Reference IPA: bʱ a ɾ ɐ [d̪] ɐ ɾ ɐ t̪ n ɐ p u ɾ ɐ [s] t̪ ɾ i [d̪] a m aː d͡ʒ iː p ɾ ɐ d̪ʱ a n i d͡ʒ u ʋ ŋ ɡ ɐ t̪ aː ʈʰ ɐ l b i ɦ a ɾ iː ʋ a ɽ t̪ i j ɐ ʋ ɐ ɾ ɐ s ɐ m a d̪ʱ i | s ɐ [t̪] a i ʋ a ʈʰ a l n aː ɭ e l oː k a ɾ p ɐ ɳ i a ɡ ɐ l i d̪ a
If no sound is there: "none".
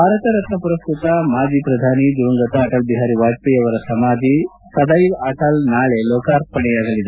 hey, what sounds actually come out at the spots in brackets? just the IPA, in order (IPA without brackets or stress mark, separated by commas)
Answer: t̪, s, t̪, d̪